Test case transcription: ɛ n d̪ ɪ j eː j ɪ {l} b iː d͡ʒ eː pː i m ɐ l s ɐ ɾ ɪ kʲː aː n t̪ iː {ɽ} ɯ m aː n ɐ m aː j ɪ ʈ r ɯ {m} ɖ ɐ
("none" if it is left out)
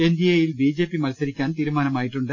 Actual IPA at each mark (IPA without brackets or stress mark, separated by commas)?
l, ɾ, ɳ